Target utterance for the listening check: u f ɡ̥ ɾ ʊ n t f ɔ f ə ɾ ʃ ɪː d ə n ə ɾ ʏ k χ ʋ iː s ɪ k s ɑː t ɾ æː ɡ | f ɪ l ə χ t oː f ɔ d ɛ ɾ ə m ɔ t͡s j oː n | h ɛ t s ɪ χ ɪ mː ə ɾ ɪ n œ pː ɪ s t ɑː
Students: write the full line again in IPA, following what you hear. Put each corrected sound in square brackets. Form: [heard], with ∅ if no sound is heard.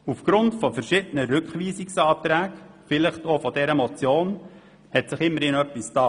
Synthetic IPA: u f ɡ̥ ɾ ʊ n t f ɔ f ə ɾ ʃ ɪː d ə n ə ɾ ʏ k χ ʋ iː s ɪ k s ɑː t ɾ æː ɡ | f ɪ l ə χ t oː f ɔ d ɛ ɾ ə m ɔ t͡s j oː n | h ɛ t s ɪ χ ɪ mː ə ɾ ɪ n œ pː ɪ s t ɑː